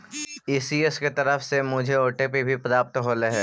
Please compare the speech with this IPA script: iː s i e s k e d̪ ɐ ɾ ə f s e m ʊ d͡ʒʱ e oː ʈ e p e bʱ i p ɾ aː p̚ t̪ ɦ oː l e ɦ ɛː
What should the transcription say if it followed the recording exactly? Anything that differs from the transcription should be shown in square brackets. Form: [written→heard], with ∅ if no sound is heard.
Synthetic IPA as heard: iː s i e s k e [d̪→t̪] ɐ ɾ ə f s e m ʊ d͡ʒʱ e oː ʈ e p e bʱ i p ɾ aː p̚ t̪ ɦ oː l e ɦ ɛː